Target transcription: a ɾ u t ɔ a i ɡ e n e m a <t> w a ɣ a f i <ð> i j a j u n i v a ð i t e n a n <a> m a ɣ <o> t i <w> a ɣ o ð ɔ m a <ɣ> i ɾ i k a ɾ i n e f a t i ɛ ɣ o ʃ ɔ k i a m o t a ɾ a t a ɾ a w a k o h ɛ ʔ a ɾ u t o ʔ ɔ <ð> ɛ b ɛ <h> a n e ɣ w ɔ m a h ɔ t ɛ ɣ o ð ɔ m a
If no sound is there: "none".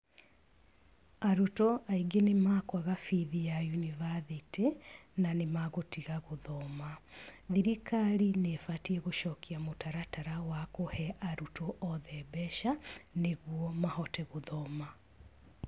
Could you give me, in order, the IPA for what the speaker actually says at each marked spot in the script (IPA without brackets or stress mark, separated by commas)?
k, ð, e, o, ɣ, ð, ð, ʃ